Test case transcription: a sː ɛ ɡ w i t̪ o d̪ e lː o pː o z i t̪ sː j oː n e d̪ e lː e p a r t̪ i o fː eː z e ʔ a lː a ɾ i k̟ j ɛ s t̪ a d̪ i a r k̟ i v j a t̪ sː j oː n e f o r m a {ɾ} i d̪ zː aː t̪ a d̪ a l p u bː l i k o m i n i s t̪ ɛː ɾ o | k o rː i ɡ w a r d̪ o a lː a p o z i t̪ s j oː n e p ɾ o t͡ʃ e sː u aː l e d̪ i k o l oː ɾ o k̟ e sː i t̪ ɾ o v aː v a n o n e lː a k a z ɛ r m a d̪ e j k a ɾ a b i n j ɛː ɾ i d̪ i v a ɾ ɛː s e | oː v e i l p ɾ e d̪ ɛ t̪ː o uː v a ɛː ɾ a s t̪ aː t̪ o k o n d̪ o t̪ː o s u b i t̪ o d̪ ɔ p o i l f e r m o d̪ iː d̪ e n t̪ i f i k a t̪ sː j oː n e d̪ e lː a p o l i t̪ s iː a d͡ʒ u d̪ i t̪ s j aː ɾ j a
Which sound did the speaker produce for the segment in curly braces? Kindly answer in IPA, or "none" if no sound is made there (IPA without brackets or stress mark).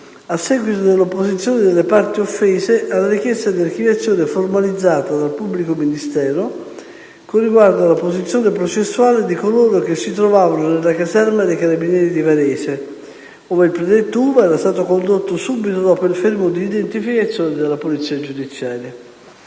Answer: l